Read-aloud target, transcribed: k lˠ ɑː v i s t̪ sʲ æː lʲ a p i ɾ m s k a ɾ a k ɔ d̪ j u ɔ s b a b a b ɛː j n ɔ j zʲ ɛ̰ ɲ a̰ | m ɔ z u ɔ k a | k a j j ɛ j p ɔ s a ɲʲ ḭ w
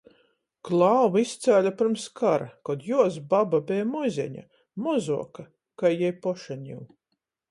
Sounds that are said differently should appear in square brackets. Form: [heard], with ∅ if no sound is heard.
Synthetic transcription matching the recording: k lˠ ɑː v i s t̪ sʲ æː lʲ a p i ɾ m s k a ɾ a k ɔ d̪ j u ɔ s b a b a b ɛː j [m] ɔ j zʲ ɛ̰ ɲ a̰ | m ɔ z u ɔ k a | k a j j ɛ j p ɔ [ʃ] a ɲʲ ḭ w